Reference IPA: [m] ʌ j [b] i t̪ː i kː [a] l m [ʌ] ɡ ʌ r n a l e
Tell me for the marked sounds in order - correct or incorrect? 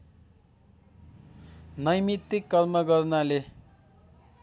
incorrect, incorrect, incorrect, correct

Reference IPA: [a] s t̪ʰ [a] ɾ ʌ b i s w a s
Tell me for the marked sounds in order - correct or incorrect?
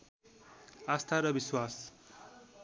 correct, correct

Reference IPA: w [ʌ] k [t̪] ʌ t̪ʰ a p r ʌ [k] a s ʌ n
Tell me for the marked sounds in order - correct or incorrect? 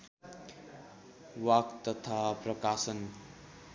incorrect, correct, correct

